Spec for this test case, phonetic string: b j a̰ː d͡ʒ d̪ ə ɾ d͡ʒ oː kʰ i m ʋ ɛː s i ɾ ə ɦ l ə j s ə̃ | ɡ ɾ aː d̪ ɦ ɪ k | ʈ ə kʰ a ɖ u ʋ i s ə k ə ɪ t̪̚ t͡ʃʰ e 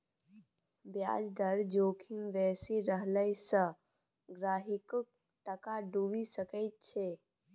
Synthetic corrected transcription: b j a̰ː d͡ʒ d̪ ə ɾ d͡ʒ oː kʰ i m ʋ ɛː s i ɾ ə ɦ l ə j s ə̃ | ɡ ɾ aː ɦ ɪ k | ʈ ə k a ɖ u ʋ i s ə k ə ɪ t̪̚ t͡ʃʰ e